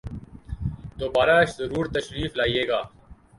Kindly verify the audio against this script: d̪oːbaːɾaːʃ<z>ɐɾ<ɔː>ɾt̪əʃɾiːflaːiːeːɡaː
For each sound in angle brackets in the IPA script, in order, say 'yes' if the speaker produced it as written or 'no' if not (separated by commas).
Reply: yes, no